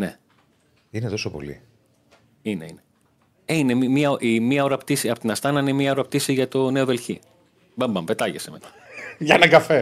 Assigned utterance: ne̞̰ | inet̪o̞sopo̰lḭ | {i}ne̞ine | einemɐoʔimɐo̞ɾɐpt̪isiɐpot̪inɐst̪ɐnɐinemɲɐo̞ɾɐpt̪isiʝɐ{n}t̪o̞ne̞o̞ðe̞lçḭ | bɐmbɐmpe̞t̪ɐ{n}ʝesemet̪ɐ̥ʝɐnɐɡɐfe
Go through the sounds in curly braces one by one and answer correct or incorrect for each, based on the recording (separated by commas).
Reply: correct, incorrect, incorrect